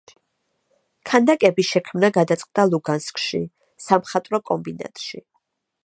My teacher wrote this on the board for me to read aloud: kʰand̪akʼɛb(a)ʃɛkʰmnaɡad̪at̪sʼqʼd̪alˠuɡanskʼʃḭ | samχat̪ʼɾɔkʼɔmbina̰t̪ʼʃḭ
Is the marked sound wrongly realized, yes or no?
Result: yes